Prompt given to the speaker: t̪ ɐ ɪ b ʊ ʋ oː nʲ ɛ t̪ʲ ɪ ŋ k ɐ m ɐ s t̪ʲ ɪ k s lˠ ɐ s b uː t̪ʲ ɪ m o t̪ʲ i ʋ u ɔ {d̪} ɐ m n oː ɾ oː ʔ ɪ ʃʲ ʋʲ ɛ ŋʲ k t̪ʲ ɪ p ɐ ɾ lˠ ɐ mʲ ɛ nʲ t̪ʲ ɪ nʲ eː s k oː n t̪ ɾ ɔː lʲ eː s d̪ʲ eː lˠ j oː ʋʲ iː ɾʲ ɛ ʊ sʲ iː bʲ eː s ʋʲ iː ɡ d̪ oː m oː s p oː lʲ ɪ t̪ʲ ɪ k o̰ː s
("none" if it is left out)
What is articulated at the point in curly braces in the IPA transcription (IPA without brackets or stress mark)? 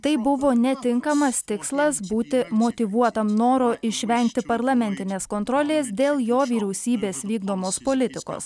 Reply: t̪